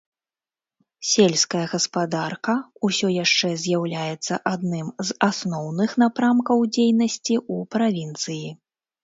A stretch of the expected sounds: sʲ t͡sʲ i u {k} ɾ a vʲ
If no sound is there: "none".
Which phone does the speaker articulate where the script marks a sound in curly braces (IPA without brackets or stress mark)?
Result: p